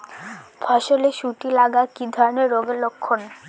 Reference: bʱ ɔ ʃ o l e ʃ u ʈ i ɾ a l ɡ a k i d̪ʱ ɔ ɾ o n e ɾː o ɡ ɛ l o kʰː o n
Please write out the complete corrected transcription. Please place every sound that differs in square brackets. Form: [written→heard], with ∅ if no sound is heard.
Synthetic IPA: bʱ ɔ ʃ o l e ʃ u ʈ i [ɾ→l] a [l→∅] ɡ a k i d̪ʱ ɔ ɾ o n e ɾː o ɡ [ɛ→e] l o kʰː o n